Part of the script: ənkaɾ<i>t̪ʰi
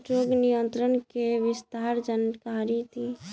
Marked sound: correct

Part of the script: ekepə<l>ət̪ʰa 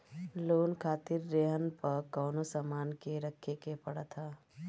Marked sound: incorrect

